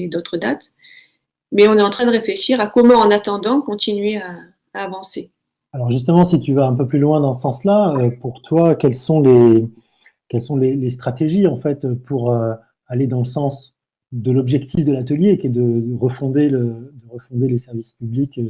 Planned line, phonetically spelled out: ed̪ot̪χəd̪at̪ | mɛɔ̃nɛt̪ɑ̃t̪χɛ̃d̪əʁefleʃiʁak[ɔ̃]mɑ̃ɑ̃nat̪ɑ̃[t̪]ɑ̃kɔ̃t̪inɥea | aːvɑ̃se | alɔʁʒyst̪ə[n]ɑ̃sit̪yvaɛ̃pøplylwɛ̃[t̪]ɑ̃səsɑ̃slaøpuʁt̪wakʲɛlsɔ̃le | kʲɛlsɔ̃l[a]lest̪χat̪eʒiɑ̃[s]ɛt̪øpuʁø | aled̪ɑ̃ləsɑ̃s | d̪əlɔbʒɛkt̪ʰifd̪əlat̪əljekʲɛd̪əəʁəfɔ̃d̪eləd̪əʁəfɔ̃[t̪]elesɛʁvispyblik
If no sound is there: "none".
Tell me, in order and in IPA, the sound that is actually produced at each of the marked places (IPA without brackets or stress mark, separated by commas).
ɔ, d̪, m, d̪, e, f, d̪